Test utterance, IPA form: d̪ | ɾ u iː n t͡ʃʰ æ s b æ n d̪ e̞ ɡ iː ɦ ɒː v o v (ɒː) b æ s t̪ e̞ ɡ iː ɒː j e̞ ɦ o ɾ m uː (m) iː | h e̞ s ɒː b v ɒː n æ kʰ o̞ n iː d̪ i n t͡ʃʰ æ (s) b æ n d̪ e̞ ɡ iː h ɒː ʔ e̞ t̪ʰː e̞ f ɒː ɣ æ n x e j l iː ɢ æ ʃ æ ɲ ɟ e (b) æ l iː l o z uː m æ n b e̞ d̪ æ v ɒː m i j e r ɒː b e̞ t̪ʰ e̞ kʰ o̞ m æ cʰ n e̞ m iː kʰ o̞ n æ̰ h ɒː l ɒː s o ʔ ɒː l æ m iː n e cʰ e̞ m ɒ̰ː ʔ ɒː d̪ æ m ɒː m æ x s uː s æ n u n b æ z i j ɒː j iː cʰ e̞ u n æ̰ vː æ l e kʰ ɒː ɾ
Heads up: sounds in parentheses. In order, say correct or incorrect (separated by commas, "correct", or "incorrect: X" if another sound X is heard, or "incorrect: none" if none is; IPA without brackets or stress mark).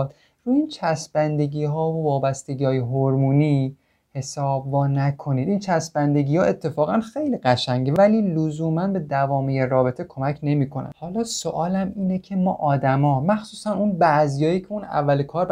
correct, incorrect: n, correct, incorrect: v